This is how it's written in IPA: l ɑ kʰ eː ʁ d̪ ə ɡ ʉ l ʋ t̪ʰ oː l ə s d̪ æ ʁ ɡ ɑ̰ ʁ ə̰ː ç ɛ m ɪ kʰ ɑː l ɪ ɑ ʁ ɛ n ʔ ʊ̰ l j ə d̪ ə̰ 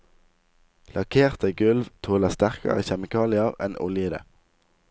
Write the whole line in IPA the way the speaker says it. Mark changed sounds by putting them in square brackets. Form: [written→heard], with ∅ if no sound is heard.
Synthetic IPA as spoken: l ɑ kʰ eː ʁ [d̪→t̪] ə ɡ ʉ l ʋ t̪ʰ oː l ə s [d̪→t̪] æ ʁ [ɡ→k] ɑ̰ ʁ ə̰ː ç ɛ m ɪ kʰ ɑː l ɪ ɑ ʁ ɛ n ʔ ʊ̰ l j ə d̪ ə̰